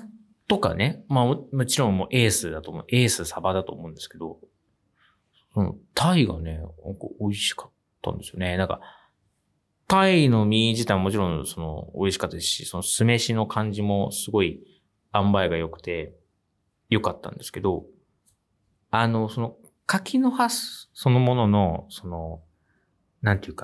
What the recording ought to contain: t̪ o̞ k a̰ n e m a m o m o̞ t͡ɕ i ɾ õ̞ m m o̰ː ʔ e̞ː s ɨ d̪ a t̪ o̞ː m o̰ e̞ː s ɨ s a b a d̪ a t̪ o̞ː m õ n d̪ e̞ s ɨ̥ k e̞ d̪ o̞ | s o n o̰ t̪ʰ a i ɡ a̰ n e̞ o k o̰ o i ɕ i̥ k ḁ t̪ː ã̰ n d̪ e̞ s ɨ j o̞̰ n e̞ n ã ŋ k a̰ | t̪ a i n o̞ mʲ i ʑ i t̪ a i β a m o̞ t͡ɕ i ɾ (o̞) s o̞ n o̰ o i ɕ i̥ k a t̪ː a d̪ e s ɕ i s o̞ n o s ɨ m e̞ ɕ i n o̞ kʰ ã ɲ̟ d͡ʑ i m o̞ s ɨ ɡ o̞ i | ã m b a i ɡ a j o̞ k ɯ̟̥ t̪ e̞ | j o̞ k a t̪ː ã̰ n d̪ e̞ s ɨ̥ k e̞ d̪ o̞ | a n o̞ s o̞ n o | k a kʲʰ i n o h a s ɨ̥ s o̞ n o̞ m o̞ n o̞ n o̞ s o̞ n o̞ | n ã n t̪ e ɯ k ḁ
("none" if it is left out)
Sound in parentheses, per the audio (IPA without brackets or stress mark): õ̞